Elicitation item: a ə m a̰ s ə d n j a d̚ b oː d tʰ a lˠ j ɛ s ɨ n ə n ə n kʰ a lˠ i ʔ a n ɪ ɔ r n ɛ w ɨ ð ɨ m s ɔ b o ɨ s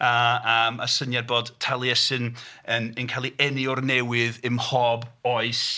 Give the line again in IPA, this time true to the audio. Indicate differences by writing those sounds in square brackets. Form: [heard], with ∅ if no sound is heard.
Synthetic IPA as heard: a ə m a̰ s ə [∅] n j a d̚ b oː d tʰ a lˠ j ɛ s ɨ n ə n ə n kʰ a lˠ i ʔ [ɛ] n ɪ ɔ r n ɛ w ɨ ð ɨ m [h] ɔ b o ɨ s